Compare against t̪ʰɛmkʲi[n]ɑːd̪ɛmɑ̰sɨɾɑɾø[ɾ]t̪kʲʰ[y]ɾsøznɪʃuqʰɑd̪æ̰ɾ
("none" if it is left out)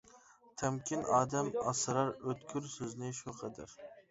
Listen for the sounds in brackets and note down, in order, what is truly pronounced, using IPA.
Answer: n, none, y

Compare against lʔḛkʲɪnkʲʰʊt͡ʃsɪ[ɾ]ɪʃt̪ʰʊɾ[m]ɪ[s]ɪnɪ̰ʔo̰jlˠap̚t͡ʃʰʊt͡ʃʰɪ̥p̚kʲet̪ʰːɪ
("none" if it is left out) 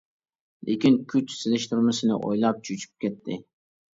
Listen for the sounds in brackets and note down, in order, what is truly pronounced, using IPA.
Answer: l, m, s

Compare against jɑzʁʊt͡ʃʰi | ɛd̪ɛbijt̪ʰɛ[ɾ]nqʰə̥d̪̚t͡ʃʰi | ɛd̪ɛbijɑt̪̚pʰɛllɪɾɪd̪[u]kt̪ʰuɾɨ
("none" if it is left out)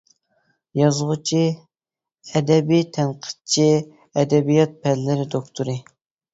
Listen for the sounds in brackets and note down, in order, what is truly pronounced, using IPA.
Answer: none, o

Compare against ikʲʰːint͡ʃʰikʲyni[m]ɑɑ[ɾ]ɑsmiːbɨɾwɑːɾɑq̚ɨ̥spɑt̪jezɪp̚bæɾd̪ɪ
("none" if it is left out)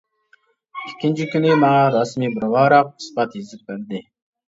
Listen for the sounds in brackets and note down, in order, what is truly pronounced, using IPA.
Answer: m, ɾ

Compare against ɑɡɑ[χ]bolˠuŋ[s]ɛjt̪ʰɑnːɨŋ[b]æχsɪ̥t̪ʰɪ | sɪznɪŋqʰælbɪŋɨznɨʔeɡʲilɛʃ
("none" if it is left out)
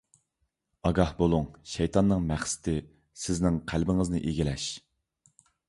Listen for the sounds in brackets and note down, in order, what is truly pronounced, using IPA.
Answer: h, ʃ, m

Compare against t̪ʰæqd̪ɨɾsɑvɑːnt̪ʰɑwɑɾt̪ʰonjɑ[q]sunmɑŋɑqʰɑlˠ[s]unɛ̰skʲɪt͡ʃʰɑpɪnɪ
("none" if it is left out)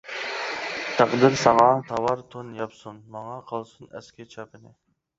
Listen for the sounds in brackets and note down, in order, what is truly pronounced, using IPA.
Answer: p, s

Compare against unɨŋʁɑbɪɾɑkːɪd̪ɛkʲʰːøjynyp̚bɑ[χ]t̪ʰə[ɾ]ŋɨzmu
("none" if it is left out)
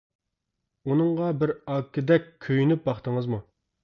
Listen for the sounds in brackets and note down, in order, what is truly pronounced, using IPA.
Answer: χ, none

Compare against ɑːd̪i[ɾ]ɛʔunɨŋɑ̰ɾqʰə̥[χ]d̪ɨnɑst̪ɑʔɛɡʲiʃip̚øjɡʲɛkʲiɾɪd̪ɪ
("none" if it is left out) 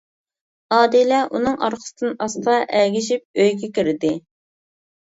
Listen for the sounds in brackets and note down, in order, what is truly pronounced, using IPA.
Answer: l, s

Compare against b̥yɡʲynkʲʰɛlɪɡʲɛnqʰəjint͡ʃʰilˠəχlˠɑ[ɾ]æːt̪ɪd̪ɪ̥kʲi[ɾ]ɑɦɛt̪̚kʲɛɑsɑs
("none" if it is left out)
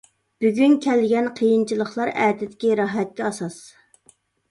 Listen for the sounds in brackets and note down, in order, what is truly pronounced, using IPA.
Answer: ɾ, ɾ

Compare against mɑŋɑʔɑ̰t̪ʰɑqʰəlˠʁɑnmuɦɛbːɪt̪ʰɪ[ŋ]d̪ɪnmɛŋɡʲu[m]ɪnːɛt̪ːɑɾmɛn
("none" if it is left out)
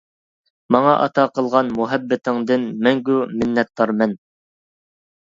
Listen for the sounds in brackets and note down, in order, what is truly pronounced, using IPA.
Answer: ŋ, m

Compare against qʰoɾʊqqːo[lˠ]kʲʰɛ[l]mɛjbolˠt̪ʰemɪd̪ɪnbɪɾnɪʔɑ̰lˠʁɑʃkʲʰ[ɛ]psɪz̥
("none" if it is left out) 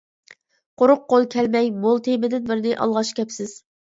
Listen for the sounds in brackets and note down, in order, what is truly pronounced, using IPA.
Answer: lˠ, l, ɛ

